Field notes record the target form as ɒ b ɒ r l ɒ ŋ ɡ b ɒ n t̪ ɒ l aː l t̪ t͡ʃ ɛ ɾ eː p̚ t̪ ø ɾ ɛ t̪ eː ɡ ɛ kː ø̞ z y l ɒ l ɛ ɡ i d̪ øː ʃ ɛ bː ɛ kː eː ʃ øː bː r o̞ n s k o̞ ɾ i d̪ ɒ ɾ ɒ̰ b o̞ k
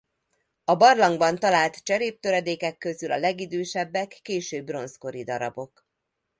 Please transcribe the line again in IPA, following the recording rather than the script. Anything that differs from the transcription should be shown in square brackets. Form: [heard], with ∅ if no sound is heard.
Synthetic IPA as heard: ɒ b ɒ r l ɒ ŋ ɡ b ɒ n t̪ ɒ l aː l t̪ t͡ʃ ɛ ɾ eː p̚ t̪ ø ɾ ɛ [d̪] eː [k] ɛ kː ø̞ z y l ɒ l ɛ ɡ i d̪ øː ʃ ɛ bː ɛ kː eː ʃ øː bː r o̞ n s k o̞ ɾ i d̪ ɒ ɾ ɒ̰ b o̞ k